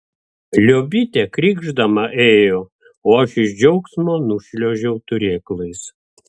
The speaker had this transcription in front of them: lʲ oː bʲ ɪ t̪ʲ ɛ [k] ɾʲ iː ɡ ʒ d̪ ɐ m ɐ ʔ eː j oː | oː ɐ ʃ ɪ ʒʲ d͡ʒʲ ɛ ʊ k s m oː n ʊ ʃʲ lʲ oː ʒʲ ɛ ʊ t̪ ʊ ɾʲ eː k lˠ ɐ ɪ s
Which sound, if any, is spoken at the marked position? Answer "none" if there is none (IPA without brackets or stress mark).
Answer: k